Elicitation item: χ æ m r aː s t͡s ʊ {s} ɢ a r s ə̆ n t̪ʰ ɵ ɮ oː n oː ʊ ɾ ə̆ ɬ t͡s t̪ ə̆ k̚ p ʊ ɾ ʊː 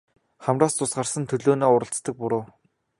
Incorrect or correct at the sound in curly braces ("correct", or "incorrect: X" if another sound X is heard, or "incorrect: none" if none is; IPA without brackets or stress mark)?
correct